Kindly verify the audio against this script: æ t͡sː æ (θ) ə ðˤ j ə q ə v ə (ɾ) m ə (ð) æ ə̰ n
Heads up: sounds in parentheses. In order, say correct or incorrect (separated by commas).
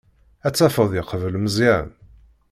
incorrect, incorrect, incorrect